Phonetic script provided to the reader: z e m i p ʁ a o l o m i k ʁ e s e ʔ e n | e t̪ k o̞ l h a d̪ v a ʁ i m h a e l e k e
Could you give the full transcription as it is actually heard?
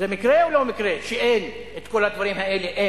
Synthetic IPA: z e m i k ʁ e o l o m i k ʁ e ʃ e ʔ e n | e t̪ k o̞ l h a d̪ v a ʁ i m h a e l e ʔ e